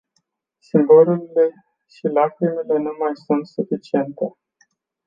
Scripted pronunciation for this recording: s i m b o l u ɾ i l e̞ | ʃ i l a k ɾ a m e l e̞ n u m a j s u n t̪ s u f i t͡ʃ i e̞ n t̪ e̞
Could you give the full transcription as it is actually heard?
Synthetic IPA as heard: s i m b o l u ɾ i l e̞ | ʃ i l a k ɾ i m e l e̞ n u m a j s u n t̪ s u f i t͡ʃ i e̞ n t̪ e̞